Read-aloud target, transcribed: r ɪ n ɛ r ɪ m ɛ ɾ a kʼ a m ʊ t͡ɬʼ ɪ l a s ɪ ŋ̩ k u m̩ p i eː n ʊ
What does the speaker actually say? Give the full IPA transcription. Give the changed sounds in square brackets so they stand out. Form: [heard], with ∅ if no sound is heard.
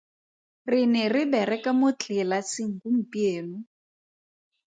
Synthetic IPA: r ɪ n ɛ r ɪ [b] ɛ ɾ [ɛ] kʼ a m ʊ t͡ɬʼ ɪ l a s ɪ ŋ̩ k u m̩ p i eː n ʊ